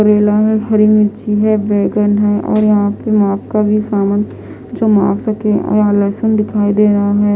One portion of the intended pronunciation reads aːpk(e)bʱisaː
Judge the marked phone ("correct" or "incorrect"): incorrect